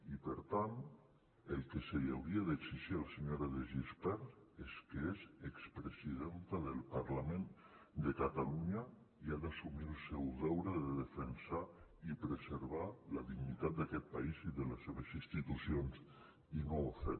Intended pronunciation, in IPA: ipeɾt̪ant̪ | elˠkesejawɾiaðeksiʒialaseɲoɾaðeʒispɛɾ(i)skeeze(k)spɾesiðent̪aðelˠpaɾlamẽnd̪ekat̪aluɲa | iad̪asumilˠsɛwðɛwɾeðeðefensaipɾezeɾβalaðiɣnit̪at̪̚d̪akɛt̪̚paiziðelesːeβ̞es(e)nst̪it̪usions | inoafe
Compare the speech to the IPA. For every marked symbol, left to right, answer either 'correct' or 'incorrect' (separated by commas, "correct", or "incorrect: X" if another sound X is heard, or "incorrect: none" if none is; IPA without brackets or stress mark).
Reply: incorrect: e, correct, incorrect: i